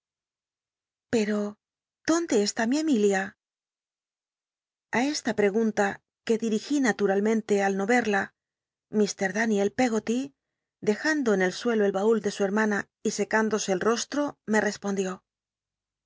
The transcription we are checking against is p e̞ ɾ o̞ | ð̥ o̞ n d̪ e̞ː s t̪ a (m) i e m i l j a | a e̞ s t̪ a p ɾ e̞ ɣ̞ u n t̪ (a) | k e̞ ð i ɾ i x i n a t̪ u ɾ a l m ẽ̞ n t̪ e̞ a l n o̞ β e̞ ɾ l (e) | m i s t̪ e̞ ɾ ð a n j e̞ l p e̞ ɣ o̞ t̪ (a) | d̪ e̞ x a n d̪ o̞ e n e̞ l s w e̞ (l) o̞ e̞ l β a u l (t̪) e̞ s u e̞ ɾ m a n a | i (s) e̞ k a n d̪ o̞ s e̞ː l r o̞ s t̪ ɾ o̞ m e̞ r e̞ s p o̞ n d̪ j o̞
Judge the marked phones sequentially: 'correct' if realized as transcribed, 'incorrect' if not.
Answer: correct, correct, incorrect: a, incorrect: i, correct, incorrect: d̪, correct

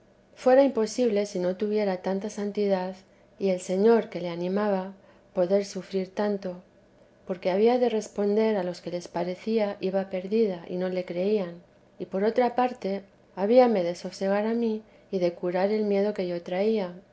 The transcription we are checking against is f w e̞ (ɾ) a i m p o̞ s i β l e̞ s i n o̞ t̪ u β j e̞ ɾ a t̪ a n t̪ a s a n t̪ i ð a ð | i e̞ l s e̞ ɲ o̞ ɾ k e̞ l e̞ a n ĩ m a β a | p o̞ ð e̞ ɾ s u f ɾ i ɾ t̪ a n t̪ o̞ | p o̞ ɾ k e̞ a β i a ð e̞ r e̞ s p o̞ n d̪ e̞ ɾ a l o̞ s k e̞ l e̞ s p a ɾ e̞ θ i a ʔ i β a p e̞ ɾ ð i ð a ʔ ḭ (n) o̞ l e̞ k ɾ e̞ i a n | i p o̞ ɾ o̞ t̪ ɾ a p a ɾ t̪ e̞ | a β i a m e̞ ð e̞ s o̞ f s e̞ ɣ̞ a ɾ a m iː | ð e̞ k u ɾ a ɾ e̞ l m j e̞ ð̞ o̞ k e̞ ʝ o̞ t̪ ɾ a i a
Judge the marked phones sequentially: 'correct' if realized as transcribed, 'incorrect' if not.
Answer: correct, correct

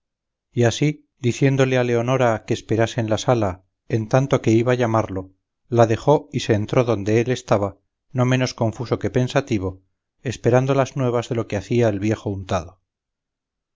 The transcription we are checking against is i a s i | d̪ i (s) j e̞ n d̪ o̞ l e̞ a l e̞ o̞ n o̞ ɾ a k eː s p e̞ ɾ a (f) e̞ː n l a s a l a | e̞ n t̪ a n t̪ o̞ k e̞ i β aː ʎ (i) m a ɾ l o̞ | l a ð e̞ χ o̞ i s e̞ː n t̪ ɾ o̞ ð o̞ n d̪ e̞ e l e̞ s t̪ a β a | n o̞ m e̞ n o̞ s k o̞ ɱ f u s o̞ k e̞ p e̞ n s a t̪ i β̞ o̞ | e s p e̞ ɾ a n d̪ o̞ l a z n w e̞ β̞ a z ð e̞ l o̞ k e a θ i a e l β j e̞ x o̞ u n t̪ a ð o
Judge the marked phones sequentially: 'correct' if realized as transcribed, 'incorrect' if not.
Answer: incorrect: θ, incorrect: s, incorrect: a

